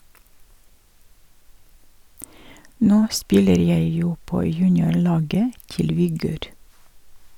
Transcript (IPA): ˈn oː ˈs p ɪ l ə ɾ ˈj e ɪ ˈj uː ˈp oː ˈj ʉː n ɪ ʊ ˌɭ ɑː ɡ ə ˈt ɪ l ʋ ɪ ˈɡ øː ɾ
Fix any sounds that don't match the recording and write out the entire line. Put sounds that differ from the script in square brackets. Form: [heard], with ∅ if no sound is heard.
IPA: ˈn oː ˈs p ɪ l ə ɾ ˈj [æ] ɪ ˈj uː ˈp oː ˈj ʉː n ɪ ʊ ˌɭ ɑː ɡ ə ˈt ɪ l ʋ ɪ ˈɡ øː ɾ

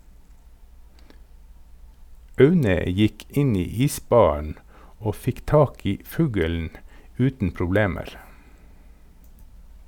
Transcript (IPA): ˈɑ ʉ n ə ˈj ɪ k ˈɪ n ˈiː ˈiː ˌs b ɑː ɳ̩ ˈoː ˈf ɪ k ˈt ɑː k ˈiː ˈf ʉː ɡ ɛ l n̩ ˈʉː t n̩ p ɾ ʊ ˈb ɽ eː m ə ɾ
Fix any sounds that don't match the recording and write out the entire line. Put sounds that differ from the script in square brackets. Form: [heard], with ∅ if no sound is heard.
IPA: ˈɑ ʉ n ə ˈj ɪ k ˈɪ n ˈiː ˈiː ˌs b ɑː ɳ̩ ˈoː ˈf ɪ k ˈt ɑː k ˈiː ˈf ʉː ɡ ɛ l n̩ ˈʉː t n̩ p ɾ ʊ ˈb [l] eː m ə ɾ

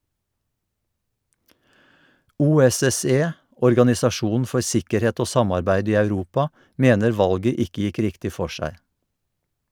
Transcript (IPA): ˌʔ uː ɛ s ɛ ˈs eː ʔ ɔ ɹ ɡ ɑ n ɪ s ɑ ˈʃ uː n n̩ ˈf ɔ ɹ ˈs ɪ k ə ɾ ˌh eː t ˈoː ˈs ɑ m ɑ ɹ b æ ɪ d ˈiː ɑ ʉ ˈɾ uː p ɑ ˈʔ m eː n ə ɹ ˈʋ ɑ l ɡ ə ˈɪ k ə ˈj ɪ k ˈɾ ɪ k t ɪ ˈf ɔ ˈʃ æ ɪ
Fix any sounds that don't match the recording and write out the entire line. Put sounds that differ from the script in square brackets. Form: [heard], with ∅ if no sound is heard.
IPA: ˌʔ uː ɛ s ɛ ˈs eː ʔ ɔ ɹ ɡ ɑ n ɪ s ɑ ˈʃ uː n n̩ ˈf ɔ ɹ ˈs ɪ k ə ɾ ˌh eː t ˈoː ˈs ɑ m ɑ ɹ b æ ɪ d ˈiː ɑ ʉ ˈɾ uː p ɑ ˈʔ m eː n ə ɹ ˈʋ ɑ l ɡ ə ˈɪ k ə ˈj ɪ k ˈɾ ɪ k t ɪ ˈf ɔ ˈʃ æ ɪ

